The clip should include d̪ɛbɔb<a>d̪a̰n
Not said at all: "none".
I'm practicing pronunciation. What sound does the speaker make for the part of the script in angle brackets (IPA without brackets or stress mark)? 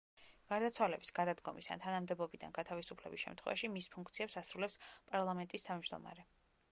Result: i